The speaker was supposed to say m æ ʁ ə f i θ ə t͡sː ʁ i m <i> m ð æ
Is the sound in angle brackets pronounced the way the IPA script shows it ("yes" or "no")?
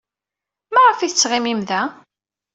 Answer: yes